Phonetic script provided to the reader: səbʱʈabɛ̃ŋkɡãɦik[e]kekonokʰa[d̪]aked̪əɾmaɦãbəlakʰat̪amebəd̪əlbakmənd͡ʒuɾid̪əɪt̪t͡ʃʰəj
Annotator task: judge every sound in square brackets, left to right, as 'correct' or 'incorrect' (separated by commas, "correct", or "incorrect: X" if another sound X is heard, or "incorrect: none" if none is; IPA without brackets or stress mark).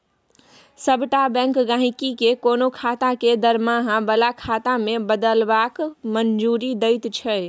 incorrect: i, incorrect: t̪